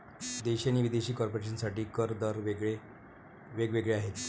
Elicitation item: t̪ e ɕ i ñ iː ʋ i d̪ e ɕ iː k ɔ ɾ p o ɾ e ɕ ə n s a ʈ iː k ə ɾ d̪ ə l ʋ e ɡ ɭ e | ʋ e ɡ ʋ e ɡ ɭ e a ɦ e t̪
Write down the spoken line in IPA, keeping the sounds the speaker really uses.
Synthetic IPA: d̪ e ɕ a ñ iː ʋ i d̪ e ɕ iː k ɔ ɾ p o ɾ e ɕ ə n s a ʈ iː k ə ɾ d̪ ə ɾ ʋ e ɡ ɭ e | ʋ e ɡ ʋ e ɡ ɭ e a ɦ e t̪